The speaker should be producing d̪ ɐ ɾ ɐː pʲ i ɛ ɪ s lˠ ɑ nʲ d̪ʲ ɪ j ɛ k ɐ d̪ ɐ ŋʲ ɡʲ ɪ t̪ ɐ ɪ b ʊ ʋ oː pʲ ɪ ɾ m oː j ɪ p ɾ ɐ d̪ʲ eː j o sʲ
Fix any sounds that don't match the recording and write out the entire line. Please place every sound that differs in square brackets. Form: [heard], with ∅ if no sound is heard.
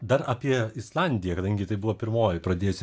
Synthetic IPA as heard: d̪ ɐ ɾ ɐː pʲ i ɛ ɪ s lˠ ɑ nʲ d̪ʲ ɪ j ɛ k ɐ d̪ ɐ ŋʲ ɡʲ ɪ t̪ ɐ ɪ b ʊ ʋ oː pʲ ɪ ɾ m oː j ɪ p ɾ ɐ d̪ʲ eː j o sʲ